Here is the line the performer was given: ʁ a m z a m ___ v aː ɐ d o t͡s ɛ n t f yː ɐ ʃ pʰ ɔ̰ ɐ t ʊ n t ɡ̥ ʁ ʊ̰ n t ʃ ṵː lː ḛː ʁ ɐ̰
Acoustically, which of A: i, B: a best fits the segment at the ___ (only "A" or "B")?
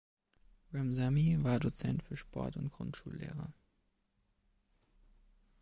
A